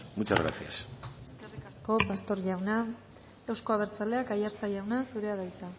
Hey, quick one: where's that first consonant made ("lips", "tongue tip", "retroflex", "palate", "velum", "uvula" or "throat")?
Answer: lips